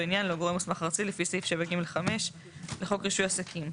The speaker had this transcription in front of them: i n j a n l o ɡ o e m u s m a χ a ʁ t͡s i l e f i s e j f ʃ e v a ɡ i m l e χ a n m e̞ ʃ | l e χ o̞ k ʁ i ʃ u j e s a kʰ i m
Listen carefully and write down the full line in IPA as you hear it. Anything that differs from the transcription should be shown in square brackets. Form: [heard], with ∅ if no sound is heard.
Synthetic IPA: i n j a n l o ɡ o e m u s m a χ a ʁ t͡s i l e f i s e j f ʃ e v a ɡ i m l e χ a [∅] m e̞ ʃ | l e χ o̞ k ʁ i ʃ u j [a] s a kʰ i m